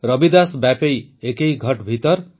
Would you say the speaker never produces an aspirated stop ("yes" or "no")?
yes